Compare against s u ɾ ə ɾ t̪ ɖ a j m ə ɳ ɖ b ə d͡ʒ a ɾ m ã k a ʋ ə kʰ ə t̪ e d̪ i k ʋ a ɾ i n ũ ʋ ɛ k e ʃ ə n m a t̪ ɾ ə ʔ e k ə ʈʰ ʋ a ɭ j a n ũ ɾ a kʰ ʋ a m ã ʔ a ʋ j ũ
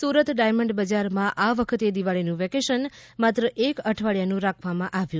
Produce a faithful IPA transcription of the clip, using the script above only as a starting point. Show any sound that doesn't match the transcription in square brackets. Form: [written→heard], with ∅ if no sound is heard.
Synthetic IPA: s u ɾ ə [ɾ→∅] t̪ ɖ a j m ə ɳ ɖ b ə d͡ʒ a ɾ m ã [k→ʔ] a ʋ ə kʰ ə t̪ e d̪ i [k→∅] ʋ a [ɾ→ɭ] i n ũ ʋ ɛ k e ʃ ə n m a t̪ ɾ ə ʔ e k ə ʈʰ ʋ a ɭ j a n ũ ɾ a kʰ ʋ a m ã ʔ a ʋ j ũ